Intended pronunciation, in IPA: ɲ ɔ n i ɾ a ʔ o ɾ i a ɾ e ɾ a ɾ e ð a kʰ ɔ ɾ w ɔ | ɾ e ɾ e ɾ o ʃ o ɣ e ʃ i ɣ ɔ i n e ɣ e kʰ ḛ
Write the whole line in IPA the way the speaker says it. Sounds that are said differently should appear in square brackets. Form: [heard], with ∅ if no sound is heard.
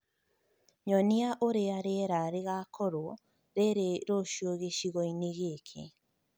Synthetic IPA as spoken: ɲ ɔ n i [∅] a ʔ o ɾ [e] a ɾ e ɾ a ɾ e [ɣ] a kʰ ɔ ɾ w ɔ | ɾ e ɾ e ɾ o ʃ o ɣ e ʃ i ɣ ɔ i n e ɣ e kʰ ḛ

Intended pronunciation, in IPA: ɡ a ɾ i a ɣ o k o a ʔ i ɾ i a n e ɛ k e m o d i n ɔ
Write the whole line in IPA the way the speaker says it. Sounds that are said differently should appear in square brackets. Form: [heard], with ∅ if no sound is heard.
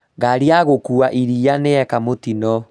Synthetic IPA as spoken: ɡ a ɾ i a ɣ o k [u] a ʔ i ɾ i a n e ɛ k [a] m o [t] i n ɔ

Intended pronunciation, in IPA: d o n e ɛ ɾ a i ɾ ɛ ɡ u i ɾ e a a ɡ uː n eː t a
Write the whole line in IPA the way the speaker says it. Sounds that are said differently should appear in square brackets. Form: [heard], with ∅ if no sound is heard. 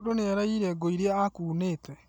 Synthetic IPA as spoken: d o n e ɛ ɾ a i ɾ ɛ ɡ [o] i ɾ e a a [k] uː n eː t [ɛ]

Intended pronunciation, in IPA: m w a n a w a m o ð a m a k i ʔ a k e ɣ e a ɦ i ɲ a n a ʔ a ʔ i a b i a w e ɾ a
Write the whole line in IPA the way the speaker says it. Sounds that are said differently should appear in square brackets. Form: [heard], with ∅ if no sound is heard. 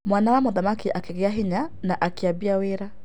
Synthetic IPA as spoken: m w a n a w a m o ð a m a k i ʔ a k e ɣ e a ɦ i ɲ a n a ʔ a [k] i a b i a w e ɾ a

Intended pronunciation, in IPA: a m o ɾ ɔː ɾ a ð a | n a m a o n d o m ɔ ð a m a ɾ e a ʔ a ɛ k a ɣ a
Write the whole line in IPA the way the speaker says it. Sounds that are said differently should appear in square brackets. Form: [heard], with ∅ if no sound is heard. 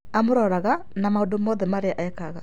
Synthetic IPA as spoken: a m o ɾ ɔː ɾ a [ɣ] a | n a m a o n d o m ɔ ð [ɛ] m a ɾ e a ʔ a ɛ k a ɣ a

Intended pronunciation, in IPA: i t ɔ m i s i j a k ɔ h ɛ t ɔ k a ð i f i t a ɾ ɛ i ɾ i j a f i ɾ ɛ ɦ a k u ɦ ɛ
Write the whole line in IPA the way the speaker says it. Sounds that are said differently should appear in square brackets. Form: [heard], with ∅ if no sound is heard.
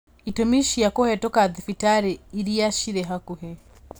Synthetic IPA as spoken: i t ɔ m i [ʃ] i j a k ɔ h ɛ t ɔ k a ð i f i t a ɾ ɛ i ɾ i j a [ʃ] i ɾ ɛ ɦ a k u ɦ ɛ

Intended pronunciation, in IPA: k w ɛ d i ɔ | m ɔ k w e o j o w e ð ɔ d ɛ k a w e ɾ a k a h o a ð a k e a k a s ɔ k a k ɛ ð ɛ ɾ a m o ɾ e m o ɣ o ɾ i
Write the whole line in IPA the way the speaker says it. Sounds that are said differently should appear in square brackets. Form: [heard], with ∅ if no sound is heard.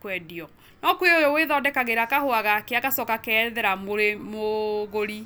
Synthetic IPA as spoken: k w ɛ d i ɔ | [n] ɔ k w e o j o w e ð ɔ d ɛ k a [ɣ] e ɾ a k a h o a [ɣ] a k e a k a s ɔ k a k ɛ ð ɛ ɾ a m o ɾ e m o ɣ o ɾ i

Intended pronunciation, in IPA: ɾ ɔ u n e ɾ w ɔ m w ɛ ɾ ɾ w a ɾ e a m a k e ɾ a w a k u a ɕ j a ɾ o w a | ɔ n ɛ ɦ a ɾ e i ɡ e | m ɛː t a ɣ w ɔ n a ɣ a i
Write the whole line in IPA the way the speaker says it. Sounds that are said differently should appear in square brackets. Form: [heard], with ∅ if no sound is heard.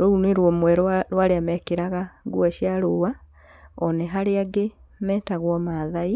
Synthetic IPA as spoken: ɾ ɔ u n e ɾ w ɔ m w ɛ ɾ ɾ w a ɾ e a m [ɛ] k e ɾ a [ɣ] a [ɡ] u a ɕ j a ɾ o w a | ɔ n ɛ ɦ a ɾ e [a] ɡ e | m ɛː t a ɣ w ɔ [m] a [ð] a i

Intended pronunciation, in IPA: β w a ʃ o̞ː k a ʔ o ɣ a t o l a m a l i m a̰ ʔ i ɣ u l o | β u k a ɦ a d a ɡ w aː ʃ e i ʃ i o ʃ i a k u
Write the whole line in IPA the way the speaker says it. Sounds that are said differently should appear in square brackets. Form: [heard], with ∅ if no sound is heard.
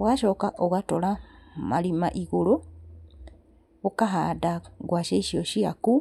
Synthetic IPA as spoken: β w a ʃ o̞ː k a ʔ o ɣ a t o l a m a l i m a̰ ʔ i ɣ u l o | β u k a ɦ a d a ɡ w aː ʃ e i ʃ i o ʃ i a k u

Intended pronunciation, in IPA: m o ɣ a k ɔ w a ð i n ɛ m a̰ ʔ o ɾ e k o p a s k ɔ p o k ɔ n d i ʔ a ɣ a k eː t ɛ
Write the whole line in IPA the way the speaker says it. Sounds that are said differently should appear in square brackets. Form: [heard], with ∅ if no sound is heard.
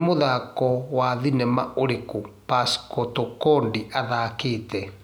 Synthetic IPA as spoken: m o [ð] a k ɔ w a ð i n ɛ m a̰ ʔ o ɾ e k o p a s k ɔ [t] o k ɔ n d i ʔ a [ð] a k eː t ɛ

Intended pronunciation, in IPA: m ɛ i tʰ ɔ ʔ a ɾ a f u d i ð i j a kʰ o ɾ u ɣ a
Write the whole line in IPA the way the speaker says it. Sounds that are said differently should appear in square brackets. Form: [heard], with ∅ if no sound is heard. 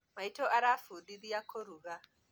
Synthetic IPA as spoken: m [a] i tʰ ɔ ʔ a ɾ a f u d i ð i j a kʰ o ɾ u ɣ a

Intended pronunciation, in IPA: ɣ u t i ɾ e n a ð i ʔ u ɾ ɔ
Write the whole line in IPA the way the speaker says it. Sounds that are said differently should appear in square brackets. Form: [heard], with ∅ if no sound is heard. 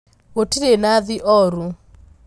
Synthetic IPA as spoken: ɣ [o] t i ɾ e n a ð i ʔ [ɔ] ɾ [u]

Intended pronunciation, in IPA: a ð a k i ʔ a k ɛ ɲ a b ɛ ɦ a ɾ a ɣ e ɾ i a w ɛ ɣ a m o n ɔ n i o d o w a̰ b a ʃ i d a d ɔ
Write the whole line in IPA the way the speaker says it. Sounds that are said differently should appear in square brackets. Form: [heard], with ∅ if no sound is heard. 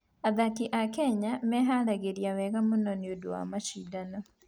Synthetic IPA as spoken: a ð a k i ʔ a k ɛ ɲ a [m] ɛ ɦ a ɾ a ɣ e ɾ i a w ɛ ɣ a m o n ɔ n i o d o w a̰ [m] a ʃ i d a [n] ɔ

